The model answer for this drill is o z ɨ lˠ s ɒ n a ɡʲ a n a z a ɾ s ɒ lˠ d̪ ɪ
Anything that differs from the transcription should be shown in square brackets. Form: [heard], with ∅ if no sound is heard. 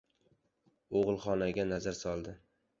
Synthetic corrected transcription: o [ʁ] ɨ lˠ [χ] ɒ n a ɡʲ a n a z a ɾ s ɒ lˠ d̪ ɪ